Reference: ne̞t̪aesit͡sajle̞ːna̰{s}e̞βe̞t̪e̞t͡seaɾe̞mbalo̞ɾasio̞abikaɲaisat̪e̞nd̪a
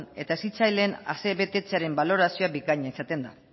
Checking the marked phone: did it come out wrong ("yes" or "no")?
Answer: no